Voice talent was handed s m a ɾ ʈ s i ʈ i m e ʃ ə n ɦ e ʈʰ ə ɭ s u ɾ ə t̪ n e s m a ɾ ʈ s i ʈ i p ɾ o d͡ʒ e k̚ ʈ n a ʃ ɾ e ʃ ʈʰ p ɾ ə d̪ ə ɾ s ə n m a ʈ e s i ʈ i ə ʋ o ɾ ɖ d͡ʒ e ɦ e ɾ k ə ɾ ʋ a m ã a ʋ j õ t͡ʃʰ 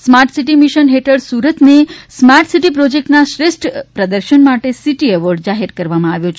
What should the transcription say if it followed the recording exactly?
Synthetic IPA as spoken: s m a ɾ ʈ s i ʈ i m i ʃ ə n ɦ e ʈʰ ə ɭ s u ɾ ə t̪ n e s m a ɾ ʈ s i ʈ i p ɾ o d͡ʒ e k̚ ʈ n a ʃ ɾ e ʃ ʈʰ p ɾ ə d̪ ə ɾ ʃ ə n m a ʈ e s i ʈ i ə ʋ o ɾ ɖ d͡ʒ a ɦ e ɾ k ə ɾ ʋ a m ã a ʋ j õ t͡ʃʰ